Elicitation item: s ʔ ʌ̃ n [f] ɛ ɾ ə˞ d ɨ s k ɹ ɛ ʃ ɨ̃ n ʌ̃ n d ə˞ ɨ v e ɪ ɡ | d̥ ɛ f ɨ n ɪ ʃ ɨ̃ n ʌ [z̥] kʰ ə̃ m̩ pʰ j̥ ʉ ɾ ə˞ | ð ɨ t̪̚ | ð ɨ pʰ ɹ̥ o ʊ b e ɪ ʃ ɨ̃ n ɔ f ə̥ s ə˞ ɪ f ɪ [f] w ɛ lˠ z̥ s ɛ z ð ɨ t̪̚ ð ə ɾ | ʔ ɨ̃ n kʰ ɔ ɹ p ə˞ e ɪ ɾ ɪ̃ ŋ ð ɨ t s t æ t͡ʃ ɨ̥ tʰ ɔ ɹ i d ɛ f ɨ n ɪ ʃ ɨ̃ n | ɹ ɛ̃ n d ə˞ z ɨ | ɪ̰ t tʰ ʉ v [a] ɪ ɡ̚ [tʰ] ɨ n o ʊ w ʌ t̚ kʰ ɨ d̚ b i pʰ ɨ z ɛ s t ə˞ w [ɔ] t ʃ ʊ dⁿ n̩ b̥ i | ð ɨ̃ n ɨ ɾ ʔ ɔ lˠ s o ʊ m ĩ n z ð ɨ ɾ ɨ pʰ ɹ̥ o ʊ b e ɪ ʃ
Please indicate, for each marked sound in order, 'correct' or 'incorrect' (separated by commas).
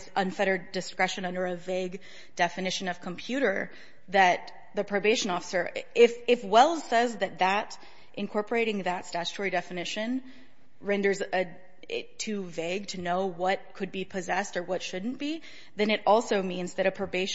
correct, incorrect, correct, incorrect, correct, incorrect